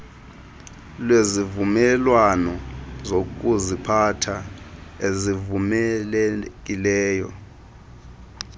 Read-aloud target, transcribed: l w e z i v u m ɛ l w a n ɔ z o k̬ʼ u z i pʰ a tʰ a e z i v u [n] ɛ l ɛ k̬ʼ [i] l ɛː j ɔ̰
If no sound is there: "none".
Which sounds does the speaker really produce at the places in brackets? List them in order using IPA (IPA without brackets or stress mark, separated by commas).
m, i